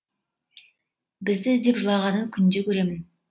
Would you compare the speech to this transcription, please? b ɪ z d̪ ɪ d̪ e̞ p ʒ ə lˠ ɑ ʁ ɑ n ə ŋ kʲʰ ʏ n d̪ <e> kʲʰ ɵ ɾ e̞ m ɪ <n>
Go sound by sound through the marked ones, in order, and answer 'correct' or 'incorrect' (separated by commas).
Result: correct, correct